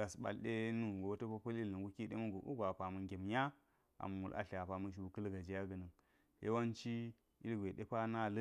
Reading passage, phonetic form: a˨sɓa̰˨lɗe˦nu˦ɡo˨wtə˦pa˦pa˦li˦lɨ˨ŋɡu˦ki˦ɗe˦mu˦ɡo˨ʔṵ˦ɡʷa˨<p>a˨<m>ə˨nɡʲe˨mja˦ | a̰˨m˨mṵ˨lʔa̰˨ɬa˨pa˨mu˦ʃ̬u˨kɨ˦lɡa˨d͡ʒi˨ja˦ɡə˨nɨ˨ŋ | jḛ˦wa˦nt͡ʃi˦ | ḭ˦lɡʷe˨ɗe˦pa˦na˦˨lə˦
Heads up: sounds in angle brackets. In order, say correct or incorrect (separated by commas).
correct, correct